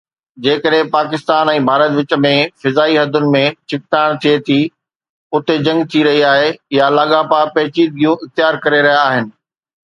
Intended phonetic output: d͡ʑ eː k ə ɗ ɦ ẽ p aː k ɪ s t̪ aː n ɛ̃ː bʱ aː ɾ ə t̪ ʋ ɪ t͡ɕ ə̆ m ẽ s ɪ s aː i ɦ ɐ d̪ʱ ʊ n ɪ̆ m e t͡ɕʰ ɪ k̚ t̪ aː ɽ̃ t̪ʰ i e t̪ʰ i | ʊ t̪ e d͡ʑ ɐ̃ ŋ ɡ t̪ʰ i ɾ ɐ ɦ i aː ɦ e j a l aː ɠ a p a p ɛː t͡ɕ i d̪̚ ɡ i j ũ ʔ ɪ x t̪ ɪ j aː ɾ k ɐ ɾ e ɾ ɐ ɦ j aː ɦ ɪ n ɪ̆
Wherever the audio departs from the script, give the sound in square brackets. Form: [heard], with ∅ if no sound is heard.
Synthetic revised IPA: d͡ʑ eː k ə ɗ ɦ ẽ p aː k ɪ s t̪ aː n ɛ̃ː bʱ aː ɾ ə t̪ ʋ ɪ t͡ɕ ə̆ m ẽ [f] ɪ [z] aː i ɦ ɐ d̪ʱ ʊ n ɪ̆ m [ẽ] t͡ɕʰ ɪ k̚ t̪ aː ɽ̃ t̪ʰ i e t̪ʰ i | ʊ t̪ e d͡ʑ ɐ̃ ŋ ɡ t̪ʰ i ɾ ɐ ɦ i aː ɦ e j a l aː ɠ a p a p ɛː t͡ɕ i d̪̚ ɡ i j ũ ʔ ɪ x t̪ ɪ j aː ɾ k ɐ ɾ e ɾ ɐ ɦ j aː ɦ ɪ n ɪ̆